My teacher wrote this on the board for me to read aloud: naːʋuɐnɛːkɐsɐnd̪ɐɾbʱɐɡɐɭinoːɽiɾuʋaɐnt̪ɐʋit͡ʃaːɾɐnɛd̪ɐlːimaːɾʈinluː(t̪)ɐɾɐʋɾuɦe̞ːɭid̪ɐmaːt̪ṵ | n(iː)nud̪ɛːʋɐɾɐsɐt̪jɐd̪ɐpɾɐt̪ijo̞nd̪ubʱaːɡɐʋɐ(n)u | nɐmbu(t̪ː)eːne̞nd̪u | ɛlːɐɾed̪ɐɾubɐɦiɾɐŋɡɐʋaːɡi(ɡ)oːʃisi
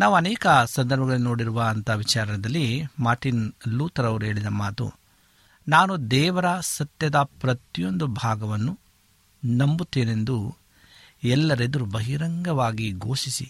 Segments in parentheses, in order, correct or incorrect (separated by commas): correct, incorrect, incorrect, correct, correct